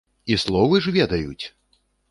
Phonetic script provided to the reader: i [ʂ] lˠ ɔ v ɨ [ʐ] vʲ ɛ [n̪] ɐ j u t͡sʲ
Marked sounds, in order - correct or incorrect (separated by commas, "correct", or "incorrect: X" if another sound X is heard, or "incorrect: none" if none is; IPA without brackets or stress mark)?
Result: incorrect: s, correct, incorrect: d̪